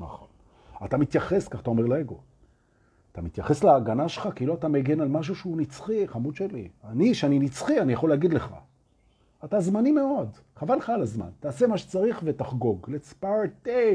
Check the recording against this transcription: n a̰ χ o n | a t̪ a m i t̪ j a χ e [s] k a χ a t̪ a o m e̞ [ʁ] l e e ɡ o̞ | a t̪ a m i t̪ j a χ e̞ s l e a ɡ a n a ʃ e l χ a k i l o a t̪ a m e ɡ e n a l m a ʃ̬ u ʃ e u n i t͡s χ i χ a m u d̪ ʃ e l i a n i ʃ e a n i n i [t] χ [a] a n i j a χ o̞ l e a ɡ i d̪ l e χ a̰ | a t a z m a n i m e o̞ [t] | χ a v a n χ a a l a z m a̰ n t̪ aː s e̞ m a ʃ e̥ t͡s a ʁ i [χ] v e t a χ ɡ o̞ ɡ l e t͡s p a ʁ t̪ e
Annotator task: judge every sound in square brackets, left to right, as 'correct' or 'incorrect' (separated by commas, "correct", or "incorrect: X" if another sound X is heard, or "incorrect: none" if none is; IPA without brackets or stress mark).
correct, correct, incorrect: t͡s, incorrect: i, incorrect: d, correct